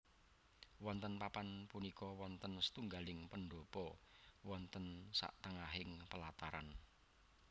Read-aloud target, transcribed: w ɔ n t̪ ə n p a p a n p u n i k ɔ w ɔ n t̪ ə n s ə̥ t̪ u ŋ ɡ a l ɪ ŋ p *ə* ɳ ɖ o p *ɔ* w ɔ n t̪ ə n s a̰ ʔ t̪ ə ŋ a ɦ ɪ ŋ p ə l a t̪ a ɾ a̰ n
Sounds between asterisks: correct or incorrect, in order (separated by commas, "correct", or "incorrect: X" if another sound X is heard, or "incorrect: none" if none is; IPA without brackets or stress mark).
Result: correct, correct